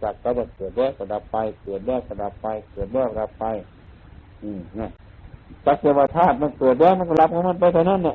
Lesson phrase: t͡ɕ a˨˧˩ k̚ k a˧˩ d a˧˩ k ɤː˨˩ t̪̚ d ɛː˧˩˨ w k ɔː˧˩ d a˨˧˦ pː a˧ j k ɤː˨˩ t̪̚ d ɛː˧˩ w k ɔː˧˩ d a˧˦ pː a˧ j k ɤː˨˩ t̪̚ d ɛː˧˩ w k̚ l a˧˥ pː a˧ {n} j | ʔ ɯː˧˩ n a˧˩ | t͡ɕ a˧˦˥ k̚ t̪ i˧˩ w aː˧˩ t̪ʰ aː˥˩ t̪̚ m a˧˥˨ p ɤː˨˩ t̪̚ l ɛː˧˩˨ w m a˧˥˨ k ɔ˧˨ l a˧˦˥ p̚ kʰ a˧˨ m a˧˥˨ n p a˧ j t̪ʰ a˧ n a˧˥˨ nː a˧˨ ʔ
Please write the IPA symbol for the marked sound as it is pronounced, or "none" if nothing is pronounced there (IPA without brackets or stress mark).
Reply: none